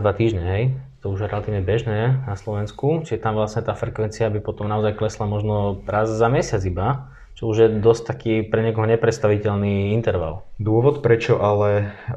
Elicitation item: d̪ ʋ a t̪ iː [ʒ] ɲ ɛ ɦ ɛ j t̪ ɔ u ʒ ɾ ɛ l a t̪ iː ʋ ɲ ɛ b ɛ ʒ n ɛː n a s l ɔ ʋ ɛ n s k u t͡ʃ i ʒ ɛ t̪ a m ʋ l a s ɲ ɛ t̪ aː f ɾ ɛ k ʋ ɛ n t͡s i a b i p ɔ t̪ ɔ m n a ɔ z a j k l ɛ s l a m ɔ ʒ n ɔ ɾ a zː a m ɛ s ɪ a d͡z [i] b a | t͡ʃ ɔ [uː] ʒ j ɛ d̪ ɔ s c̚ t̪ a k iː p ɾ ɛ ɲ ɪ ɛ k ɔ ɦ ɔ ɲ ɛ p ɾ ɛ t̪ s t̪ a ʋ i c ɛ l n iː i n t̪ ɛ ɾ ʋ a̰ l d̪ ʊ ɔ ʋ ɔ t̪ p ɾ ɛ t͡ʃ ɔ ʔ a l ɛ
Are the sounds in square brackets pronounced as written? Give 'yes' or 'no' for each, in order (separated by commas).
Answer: yes, yes, no